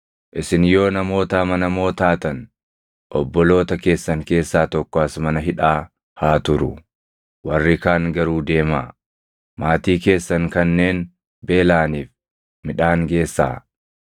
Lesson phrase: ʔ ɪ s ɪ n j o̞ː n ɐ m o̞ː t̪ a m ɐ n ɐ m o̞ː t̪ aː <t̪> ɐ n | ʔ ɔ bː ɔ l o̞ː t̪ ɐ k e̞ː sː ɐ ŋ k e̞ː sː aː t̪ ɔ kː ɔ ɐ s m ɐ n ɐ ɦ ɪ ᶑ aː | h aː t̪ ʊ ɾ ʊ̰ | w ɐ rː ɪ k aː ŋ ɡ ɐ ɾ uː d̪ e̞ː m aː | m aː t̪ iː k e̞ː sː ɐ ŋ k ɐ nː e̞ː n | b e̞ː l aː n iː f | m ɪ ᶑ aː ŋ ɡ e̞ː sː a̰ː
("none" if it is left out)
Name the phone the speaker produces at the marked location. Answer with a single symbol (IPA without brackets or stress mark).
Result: t̪